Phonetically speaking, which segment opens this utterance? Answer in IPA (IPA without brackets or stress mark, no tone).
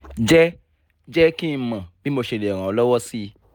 d͡ʒ